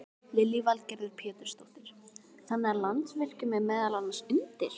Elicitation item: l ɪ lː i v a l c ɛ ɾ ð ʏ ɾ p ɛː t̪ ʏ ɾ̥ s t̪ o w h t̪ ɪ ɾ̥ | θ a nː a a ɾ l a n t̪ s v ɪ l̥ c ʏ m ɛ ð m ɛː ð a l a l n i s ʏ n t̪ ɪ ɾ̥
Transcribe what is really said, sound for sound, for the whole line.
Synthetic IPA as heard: l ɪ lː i v a l c ɛ ɾ ð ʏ ɾ pʰ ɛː t̪ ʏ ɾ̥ s t̪ o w h t̪ ɪ ɾ̥ | θ a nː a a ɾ l a n t̪ s v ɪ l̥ c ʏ m ɛ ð m ɛː ð a l a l n a s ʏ n t̪ ɪ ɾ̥